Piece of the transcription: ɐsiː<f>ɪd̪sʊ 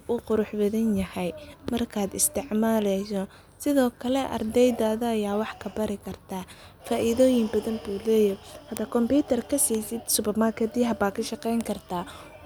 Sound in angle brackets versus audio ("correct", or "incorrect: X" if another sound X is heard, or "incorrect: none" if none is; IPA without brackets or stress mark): incorrect: s